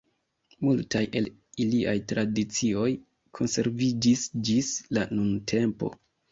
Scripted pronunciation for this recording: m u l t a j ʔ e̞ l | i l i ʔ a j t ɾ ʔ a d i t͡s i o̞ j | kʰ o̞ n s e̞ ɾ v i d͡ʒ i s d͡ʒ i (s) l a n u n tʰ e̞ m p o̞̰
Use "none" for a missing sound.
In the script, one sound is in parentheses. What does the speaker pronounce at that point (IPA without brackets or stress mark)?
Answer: s